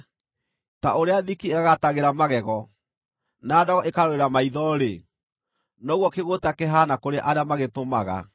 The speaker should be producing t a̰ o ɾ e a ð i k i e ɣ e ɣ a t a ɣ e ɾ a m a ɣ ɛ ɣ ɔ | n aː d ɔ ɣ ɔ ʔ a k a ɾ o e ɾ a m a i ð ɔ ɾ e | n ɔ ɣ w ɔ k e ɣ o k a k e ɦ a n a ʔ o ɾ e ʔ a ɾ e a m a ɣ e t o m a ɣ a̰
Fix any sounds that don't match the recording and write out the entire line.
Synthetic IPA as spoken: t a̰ o ɾ e a ð i k i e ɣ a ɣ a t a ɣ e ɾ a m a ɣ ɛ ɣ ɔ | n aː d ɔ ɣ ɔ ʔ e k a ɾ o e ɾ a m a i ð ɔ ɾ e | n ɔ ɣ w ɔ k e ɣ o t a k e ɦ a n a k o ɾ e ʔ a ɾ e a m a ɣ e t o m a ɣ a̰